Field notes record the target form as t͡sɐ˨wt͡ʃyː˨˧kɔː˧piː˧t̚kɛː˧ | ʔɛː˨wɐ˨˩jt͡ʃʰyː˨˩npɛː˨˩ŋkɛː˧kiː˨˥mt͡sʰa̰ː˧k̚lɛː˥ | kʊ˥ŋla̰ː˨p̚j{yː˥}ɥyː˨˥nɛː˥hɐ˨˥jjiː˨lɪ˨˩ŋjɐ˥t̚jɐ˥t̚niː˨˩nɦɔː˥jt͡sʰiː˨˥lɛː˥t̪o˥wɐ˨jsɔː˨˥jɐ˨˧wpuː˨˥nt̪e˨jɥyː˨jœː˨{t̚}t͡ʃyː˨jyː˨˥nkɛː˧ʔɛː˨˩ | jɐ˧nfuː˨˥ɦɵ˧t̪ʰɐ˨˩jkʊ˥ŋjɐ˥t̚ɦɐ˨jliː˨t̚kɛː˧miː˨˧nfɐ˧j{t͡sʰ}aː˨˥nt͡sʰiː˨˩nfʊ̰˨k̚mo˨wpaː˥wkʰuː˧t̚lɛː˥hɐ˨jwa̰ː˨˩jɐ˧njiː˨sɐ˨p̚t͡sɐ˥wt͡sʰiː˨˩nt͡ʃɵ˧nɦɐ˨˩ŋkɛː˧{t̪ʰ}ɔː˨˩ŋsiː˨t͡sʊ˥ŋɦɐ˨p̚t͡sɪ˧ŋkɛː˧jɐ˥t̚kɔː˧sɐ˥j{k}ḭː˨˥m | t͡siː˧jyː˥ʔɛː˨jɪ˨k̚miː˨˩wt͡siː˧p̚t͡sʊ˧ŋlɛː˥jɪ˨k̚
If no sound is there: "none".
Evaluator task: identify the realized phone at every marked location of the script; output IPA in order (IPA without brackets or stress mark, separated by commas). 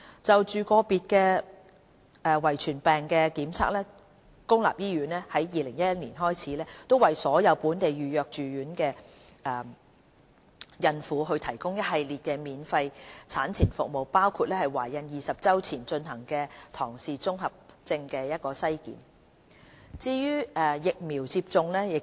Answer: iː˥, k̚, t͡sʰ, t̪ʰ, k